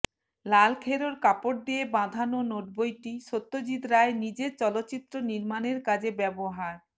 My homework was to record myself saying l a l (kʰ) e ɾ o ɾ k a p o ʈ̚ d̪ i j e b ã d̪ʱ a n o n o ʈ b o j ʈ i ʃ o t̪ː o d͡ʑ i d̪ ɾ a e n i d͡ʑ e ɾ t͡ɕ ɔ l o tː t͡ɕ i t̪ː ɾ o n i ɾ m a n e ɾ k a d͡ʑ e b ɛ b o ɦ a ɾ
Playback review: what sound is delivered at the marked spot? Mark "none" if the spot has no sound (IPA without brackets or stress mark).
kʰ